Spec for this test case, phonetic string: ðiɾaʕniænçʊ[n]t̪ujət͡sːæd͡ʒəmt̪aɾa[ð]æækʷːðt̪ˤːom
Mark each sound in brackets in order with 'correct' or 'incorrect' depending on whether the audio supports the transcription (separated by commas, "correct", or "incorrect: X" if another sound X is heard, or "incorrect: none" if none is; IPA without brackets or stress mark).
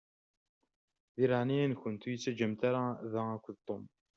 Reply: correct, correct